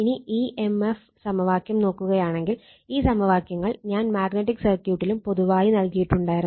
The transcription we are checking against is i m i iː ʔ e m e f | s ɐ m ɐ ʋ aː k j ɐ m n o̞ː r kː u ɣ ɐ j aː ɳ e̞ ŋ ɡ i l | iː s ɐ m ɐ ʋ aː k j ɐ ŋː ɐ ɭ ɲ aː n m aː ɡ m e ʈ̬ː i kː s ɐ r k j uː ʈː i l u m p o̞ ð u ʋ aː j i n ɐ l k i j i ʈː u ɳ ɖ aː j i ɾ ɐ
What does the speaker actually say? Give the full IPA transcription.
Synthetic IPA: i n i iː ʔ e m e f | s ɐ m ɐ ʋ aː k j ɐ m n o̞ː kː u ɣ ɐ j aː ɳ e̞ ŋ ɡ i l | iː s ɐ m ɐ ʋ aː k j ɐ ŋː ɐ ɭ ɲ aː n m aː ɡ n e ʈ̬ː i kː s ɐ r k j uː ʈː i l u m p o̞ ð u ʋ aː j i n ɐ l k i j i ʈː u ɳ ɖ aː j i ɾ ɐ